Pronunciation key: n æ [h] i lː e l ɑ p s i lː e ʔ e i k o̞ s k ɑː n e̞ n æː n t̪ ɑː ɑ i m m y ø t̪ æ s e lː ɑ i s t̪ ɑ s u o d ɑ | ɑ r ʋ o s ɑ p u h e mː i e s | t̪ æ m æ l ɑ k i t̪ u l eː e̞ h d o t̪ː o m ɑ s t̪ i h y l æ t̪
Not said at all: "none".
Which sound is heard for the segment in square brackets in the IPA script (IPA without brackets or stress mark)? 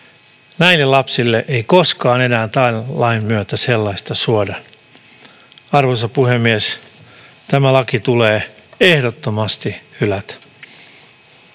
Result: none